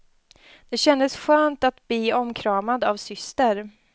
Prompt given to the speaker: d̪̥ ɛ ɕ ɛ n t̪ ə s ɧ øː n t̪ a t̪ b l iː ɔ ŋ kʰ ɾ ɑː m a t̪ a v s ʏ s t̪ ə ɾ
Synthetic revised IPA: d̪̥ ɛ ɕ ɛ n d̪ ə s ɧ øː n t̪ a t̪ b l iː ɔ m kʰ ɾ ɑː m a d̪ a v s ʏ s t̪ ə ɾ